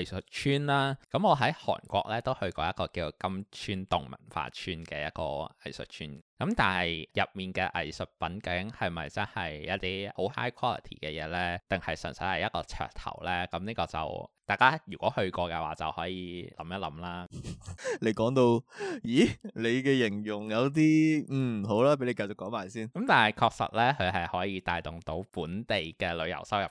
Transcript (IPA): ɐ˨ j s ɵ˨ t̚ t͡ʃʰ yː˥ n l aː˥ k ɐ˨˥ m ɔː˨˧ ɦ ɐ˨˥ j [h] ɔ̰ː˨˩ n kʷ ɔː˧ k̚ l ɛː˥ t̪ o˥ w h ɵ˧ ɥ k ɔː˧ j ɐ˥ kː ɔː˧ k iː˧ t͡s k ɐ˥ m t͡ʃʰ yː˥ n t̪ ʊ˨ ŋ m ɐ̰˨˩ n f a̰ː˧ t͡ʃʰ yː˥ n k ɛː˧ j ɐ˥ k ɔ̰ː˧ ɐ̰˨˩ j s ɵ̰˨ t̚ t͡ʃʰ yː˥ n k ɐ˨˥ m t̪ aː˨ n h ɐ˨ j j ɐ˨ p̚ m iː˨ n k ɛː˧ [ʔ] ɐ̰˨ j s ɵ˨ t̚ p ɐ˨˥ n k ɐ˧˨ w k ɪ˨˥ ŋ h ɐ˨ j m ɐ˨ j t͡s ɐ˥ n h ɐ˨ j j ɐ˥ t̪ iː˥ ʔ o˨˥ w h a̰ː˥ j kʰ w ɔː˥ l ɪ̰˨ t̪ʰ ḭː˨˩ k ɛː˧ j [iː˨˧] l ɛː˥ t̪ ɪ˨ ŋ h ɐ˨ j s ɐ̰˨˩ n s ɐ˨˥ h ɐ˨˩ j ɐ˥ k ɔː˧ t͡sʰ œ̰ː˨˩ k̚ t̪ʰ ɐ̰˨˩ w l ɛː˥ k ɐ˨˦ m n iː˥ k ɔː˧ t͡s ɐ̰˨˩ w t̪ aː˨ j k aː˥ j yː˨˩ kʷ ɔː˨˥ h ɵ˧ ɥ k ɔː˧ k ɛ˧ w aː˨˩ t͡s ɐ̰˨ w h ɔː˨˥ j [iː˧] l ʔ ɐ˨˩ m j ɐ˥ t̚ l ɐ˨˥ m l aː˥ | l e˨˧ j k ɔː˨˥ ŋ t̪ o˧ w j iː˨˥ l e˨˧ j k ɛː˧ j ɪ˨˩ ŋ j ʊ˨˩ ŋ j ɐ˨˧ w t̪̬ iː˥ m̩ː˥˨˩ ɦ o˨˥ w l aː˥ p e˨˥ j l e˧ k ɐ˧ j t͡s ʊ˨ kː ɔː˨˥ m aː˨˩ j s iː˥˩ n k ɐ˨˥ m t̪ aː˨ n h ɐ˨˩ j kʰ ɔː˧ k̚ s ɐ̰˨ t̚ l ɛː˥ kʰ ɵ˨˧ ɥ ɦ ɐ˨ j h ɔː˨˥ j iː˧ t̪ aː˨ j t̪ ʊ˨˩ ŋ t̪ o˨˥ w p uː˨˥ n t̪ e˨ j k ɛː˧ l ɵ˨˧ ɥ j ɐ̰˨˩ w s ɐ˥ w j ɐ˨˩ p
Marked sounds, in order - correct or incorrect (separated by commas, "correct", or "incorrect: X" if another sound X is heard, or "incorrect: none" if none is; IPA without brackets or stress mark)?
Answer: correct, correct, incorrect: ɛː˨˧, correct